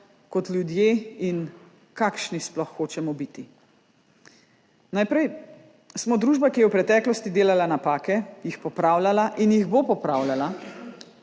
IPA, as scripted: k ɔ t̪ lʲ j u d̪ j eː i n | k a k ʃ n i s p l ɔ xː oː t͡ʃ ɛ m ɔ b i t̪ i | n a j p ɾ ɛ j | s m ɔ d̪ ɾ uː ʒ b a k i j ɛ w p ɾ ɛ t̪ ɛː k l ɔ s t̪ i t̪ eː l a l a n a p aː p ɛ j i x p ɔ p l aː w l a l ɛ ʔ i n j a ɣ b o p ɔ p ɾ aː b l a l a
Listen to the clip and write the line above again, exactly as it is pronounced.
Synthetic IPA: k ɔ t̪ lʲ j u d̪ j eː i n | k a k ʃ n i s p l ɔ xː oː t͡ʃ ɛ m ɔ b i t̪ i | n a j p ɾ ɛ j | s m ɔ d̪ ɾ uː ʒ b a k i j ɛ w p ɾ ɛ t̪ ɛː k l ɔ s t̪ i d̪ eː l a l a n a p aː k ɛ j i x p ɔ p ɾ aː w l a l a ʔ i n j i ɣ b o p ɔ p ɾ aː w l a l a